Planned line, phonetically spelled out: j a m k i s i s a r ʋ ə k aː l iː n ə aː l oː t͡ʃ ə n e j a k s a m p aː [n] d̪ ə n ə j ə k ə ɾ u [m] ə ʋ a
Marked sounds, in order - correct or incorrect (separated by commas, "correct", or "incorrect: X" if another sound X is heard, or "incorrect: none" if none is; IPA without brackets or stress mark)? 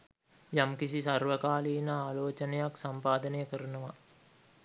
incorrect: none, incorrect: n